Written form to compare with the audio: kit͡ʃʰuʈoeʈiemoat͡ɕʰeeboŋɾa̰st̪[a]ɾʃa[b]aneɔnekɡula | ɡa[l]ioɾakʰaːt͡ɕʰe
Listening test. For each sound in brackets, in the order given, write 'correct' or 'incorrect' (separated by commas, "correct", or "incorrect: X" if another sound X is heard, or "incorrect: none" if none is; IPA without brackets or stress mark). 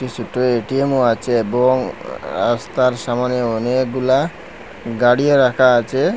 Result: correct, incorrect: m, incorrect: ɽ